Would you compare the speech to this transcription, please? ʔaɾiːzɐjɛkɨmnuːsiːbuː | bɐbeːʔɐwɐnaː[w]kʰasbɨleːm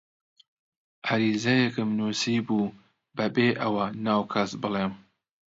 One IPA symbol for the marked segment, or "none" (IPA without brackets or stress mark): w